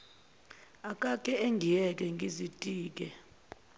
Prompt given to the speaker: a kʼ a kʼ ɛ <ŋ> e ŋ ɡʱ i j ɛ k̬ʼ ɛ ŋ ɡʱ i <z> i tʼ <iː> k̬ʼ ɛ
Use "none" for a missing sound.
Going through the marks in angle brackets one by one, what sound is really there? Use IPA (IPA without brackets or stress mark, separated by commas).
none, z, iː